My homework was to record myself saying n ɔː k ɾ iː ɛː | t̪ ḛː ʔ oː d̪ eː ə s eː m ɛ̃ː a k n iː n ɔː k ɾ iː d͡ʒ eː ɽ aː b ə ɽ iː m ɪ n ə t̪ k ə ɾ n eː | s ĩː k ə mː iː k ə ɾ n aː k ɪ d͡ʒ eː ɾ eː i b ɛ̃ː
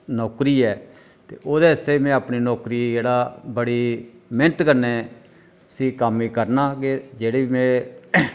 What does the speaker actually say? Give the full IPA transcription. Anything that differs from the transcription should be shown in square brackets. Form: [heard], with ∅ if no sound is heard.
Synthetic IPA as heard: n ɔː k ɾ iː ɛː | t̪ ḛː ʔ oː d̪ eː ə s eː m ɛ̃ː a [p] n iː n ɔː k ɾ iː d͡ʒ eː ɽ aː b ə ɽ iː m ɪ n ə t̪ k ə ɾ n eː | s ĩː k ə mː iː k ə ɾ n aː k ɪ d͡ʒ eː [ɽ] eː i [m] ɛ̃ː

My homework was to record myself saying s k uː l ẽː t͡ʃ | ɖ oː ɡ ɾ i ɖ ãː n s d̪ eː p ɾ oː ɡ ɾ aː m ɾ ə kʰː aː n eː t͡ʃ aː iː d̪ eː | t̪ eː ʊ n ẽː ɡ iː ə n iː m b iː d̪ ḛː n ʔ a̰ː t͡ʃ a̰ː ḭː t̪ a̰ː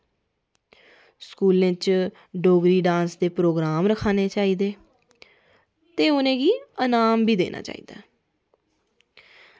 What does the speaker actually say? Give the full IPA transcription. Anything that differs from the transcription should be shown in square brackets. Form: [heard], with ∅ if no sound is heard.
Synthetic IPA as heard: s k uː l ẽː t͡ʃ | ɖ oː ɡ ɾ [iː] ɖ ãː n s d̪ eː p ɾ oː ɡ ɾ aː m ɾ ə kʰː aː n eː t͡ʃ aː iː d̪ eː | t̪ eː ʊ n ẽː ɡ iː ə n [aː] m b iː d̪ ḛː n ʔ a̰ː t͡ʃ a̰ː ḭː [d̪] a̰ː

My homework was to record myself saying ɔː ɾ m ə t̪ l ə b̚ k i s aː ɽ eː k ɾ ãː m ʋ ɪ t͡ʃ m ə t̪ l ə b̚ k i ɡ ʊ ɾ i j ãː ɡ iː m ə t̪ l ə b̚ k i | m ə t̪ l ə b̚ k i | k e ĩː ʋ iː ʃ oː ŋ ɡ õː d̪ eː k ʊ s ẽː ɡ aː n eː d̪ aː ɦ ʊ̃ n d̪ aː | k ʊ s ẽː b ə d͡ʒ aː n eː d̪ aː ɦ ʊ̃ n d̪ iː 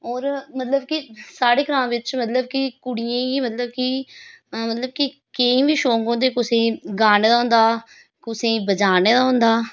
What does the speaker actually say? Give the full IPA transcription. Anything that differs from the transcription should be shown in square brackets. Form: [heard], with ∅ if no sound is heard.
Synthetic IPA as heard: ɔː ɾ m ə t̪ l ə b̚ k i s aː ɽ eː k ɾ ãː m ʋ ɪ t͡ʃ m ə t̪ l ə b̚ k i [k] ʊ [ɽ] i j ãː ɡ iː m ə t̪ l ə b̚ k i | m ə t̪ l ə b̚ k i | k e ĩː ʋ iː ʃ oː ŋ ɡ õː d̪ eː k ʊ s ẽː ɡ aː n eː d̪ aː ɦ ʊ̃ n d̪ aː | k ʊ s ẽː b ə d͡ʒ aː n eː d̪ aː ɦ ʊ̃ n d̪ [aː]

